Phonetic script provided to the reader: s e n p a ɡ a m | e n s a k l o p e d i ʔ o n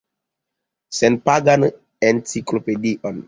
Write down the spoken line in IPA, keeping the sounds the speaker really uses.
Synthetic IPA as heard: s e n p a ɡ a n | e n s i k l o p e d i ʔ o n